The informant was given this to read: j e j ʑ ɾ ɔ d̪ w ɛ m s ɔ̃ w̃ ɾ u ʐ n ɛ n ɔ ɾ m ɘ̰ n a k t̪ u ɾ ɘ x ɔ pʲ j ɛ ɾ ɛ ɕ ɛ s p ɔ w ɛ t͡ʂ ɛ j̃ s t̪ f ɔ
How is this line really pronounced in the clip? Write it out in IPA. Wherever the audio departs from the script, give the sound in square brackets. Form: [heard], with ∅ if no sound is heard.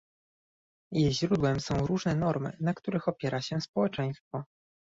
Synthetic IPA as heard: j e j ʑ ɾ [u] d̪ w ɛ m s ɔ̃ w̃ ɾ u ʐ n ɛ n ɔ ɾ m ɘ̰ n a k t̪ u ɾ ɘ x ɔ pʲ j ɛ ɾ [a] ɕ ɛ s p ɔ w ɛ t͡ʂ ɛ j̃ s t̪ f ɔ